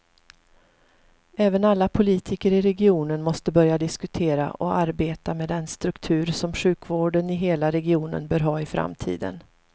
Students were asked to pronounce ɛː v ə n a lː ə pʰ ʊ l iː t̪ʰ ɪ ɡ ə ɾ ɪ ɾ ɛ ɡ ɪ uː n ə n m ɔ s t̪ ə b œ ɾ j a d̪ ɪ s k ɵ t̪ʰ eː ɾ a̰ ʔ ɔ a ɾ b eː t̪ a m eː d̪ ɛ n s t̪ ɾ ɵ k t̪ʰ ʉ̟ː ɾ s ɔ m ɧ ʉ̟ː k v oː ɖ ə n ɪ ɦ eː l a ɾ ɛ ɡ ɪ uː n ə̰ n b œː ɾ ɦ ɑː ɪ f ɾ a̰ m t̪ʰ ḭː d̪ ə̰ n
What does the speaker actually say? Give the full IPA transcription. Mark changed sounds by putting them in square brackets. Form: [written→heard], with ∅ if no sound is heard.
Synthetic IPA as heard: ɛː v ə n a lː [ə→a] pʰ ʊ l iː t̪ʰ ɪ [ɡ→k] ə ɾ ɪ ɾ ɛ ɡ ɪ uː n ə n m ɔ s t̪ ə b œ ɾ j a d̪ ɪ s k ɵ t̪ʰ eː ɾ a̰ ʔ ɔ a ɾ b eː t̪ a m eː d̪ ɛ n s t̪ ɾ ɵ k t̪ʰ ʉ̟ː ɾ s ɔ m ɧ ʉ̟ː k v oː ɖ ə n ɪ ɦ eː l a ɾ ɛ ɡ ɪ uː n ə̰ n b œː ɾ ɦ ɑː ɪ f ɾ a̰ m t̪ʰ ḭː d̪ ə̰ n